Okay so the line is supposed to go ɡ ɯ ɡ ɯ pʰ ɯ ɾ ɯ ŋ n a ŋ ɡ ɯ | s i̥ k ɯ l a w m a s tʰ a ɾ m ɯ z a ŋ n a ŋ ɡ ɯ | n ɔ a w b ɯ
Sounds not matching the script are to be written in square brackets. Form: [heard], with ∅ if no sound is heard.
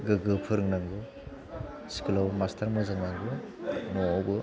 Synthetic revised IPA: ɡ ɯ ɡ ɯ pʰ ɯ ɾ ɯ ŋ n a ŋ ɡ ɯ | s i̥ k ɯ l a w m a s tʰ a ɾ m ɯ z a ŋ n a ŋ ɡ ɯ | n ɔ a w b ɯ

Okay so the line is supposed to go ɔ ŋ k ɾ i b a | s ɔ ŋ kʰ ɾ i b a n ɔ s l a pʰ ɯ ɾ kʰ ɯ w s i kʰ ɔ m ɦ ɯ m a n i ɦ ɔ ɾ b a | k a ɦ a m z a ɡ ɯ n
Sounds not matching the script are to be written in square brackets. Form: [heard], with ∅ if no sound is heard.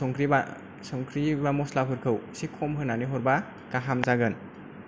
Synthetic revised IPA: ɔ ŋ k ɾ i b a | s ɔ ŋ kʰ ɾ i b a [m] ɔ s l a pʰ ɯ ɾ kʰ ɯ w s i kʰ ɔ m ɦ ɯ [n] a n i ɦ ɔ ɾ b a | k a ɦ a m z a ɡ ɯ n

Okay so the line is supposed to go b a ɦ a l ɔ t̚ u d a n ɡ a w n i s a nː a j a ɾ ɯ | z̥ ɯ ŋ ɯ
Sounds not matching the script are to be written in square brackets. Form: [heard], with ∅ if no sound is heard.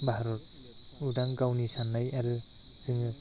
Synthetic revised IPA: b a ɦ a [ɾ] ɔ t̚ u d a [ŋ] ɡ a w n i s a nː a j a ɾ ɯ | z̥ ɯ ŋ ɯ

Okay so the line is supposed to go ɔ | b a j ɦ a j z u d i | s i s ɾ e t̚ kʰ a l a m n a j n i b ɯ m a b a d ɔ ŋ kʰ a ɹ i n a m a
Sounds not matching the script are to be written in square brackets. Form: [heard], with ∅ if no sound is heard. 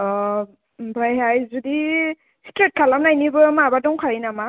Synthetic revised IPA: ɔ | b a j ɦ a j z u d i | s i [t] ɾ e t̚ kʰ a l a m n a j n i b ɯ m a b a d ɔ ŋ kʰ a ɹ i n a m a

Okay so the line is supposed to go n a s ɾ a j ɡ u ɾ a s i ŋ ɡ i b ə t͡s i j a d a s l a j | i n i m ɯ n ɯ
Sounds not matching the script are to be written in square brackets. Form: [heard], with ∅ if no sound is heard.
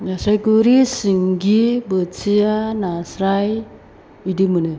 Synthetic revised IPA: n a s ɾ a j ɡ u ɾ [i] s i ŋ ɡ i b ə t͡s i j a [n] a s [ɾ] a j | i [d] i m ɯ n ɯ

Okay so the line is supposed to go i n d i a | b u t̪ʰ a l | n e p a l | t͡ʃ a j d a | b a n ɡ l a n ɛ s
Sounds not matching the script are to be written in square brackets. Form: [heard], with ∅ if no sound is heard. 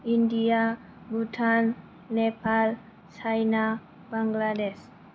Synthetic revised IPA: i n d i a | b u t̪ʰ a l | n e p a l | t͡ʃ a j [n] a | b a [ŋ] ɡ l a [d] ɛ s

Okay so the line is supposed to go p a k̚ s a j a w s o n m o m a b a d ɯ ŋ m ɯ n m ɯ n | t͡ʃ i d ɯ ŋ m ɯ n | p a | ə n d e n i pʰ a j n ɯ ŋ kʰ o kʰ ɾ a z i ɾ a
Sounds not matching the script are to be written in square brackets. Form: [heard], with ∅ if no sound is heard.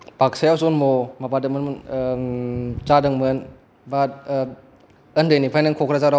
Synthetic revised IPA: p a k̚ s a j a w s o n m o m a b a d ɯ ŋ m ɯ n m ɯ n | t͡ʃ [a] d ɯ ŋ m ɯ n | [b] a | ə n d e n i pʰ a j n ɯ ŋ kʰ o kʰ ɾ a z [a] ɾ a

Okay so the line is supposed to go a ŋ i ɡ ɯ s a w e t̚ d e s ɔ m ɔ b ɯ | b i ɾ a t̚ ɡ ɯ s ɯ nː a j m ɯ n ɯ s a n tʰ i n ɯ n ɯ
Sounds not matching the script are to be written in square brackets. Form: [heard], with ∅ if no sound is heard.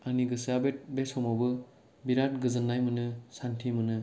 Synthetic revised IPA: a [n] i ɡ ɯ s a [b] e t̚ [b] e s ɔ m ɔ b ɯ | b i ɾ a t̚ ɡ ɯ [z] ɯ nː a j m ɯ n ɯ s a n tʰ i [m] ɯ n ɯ

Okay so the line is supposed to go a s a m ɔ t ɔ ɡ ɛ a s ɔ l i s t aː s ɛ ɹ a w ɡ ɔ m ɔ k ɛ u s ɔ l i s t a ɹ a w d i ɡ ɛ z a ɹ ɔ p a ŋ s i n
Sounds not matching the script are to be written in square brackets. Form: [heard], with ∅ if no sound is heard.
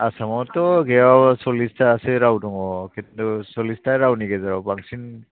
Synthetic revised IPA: a s a m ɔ t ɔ ɡ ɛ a s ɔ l i s t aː s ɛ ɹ a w [d] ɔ [ŋ] ɔ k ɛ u s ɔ l i s t a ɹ a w [n] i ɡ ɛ z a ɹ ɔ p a ŋ s i n

